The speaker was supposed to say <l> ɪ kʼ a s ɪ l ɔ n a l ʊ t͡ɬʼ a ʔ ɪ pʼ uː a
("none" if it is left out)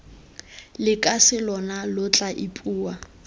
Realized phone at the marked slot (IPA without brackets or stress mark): l